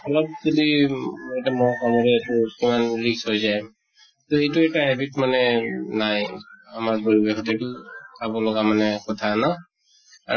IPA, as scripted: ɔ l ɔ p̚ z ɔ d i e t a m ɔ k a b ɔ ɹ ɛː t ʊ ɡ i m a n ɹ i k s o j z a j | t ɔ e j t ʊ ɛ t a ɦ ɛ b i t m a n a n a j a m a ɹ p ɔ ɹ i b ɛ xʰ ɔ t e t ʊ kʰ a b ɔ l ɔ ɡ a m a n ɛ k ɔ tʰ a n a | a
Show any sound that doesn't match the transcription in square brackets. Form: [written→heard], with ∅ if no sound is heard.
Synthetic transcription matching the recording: ɔ l ɔ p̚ z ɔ d i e t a m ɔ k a [b→m] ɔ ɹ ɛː t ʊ [ɡ→k] i m a n ɹ i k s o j z a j | t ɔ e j t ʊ ɛ t a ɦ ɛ b i t m a n [a→ɛ] n a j a m a ɹ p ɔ ɹ i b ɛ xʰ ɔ t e t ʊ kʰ a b ɔ l ɔ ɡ a m a n ɛ k ɔ tʰ a n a | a